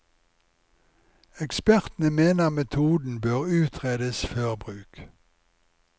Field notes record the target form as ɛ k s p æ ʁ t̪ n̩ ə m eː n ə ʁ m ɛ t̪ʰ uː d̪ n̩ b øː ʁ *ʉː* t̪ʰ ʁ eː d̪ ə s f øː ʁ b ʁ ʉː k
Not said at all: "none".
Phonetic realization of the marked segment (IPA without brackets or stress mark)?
ʉː